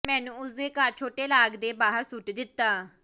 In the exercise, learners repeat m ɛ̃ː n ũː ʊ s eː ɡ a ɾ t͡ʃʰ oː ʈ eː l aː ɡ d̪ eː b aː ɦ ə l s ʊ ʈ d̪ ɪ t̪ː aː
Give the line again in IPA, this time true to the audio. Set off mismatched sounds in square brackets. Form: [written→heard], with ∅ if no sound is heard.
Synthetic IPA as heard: m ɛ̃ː n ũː ʊ s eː [ɡ→k] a ɾ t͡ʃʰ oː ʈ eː l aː ɡ d̪ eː b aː ɦ ə [l→ɾ] s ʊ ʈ d̪ ɪ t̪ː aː

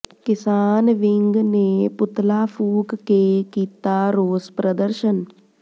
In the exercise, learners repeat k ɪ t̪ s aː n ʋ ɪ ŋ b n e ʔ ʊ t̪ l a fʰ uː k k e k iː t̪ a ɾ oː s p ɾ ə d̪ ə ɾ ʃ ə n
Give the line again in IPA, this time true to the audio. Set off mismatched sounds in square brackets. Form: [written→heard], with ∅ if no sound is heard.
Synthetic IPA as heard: k ɪ [t̪→∅] s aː n ʋ ɪ ŋ [b→ɡ] n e [ʔ→p] ʊ t̪ l a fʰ uː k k e k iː t̪ a ɾ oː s p ɾ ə d̪ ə ɾ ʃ ə n

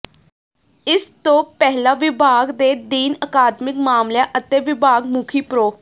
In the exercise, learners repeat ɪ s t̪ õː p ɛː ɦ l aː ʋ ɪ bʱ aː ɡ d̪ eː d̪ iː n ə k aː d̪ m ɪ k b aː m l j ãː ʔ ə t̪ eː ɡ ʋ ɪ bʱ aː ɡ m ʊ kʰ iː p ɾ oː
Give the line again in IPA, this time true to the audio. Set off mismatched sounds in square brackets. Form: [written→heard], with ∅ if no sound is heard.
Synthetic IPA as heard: ɪ s t̪ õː p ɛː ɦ l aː ʋ ɪ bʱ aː ɡ d̪ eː d̪ iː n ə k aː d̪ m ɪ k [b→m] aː m l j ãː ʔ ə t̪ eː [ɡ→∅] ʋ ɪ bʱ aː ɡ m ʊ kʰ iː p ɾ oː

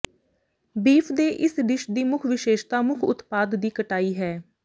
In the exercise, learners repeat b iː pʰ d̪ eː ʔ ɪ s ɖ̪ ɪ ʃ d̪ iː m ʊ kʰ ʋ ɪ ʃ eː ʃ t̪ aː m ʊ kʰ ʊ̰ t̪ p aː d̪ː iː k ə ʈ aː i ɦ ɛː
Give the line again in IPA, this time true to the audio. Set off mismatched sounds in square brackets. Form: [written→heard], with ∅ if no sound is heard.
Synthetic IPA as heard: b iː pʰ d̪ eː ʔ ɪ s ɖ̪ ɪ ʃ d̪ iː m ʊ kʰ ʋ ɪ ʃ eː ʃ t̪ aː m ʊ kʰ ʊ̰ t̪ p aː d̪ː iː k ə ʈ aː [i→iː] ɦ ɛː

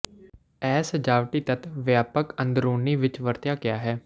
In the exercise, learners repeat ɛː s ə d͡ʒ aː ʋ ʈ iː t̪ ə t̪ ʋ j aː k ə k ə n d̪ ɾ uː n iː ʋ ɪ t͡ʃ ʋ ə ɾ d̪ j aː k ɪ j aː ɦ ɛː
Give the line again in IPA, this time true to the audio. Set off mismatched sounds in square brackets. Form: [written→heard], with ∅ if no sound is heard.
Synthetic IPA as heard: ɛː s ə d͡ʒ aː ʋ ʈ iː t̪ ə t̪ ʋ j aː [k→p] ə k ə n d̪ ɾ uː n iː ʋ ɪ t͡ʃ ʋ ə ɾ [d̪→t̪] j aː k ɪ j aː ɦ ɛː

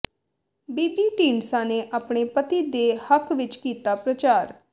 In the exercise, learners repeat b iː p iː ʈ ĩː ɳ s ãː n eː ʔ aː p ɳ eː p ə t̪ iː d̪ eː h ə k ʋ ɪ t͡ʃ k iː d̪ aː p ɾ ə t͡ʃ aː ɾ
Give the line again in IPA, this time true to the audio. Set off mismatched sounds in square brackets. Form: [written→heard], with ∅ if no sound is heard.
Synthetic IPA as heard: b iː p iː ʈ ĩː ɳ s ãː n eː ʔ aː p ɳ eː p ə t̪ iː d̪ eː h ə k ʋ ɪ t͡ʃ k iː [d̪→t̪] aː p ɾ ə t͡ʃ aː ɾ

